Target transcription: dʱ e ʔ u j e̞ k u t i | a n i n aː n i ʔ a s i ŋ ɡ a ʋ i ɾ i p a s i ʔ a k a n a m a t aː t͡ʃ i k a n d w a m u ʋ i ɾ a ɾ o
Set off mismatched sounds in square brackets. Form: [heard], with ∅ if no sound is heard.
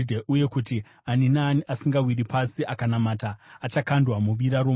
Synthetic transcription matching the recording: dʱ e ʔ u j e̞ k u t i | a n i n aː n i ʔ a s i ŋ ɡ a [w] i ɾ i p a s i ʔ a k a n a m a t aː t͡ʃ [a] k a n d w a m u ʋ i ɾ a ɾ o

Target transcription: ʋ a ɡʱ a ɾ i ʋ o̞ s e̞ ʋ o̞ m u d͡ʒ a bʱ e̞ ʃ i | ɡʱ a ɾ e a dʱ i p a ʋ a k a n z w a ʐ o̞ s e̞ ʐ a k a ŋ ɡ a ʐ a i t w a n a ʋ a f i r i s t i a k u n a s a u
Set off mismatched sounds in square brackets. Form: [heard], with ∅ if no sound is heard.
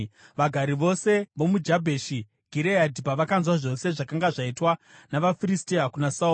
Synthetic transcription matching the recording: ʋ a ɡʱ a ɾ i ʋ o̞ s e̞ ʋ o̞ m u d͡ʒ a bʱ e̞ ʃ i | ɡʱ [i] ɾ e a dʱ i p a ʋ a k a n z w a ʐ o̞ s e̞ ʐ a k a ŋ ɡ a ʐ a i t w a n a ʋ a f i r i s t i a k u n a s a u

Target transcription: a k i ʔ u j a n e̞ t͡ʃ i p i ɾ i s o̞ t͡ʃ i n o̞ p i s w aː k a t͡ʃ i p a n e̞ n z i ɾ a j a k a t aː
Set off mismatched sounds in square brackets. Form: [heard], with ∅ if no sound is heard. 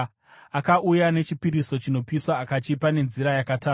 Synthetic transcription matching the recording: a k [a] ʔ u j a n e̞ t͡ʃ i p i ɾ i s o̞ t͡ʃ i n o̞ p i s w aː k a t͡ʃ i p a n e̞ n z i ɾ a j a k a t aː

